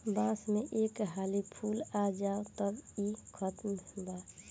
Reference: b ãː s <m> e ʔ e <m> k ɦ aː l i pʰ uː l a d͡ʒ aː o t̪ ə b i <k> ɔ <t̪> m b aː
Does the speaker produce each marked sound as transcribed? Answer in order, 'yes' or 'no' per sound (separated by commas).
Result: yes, no, no, yes